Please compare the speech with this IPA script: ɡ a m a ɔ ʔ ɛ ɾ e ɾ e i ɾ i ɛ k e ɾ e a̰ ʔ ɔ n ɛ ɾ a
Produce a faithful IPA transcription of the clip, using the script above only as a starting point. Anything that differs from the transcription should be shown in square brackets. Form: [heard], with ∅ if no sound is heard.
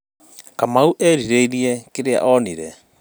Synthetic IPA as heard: [k] a m a [u] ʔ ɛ ɾ [i] ɾ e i ɾ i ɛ k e ɾ e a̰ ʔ ɔ n [i] ɾ [ɛ]